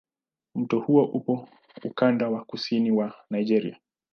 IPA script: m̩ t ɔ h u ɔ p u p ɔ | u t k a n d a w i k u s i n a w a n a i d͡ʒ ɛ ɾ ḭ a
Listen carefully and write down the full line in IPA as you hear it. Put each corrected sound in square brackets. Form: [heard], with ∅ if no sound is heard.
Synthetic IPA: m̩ t ɔ h u ɔ [ʔ] u p ɔ | u [∅] k a n d a w [a] k u s i n [i] w a n a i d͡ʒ ɛ ɾ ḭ a